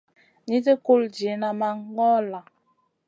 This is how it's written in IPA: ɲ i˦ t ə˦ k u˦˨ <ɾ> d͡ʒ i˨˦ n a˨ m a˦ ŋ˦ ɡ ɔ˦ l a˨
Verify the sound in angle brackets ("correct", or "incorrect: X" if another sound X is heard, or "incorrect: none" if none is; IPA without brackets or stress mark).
incorrect: l